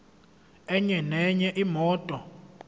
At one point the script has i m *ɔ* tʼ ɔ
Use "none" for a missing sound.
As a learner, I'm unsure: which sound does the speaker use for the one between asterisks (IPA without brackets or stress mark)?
ɔː